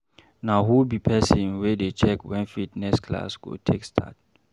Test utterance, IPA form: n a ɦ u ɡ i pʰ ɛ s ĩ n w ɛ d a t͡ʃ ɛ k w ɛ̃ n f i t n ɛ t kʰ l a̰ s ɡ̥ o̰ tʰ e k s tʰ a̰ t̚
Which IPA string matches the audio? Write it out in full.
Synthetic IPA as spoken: n a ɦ u b i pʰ ɛ s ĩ n w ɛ d e t͡ʃ ɛ k w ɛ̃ n f i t n ɛ s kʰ l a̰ s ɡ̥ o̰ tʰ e k s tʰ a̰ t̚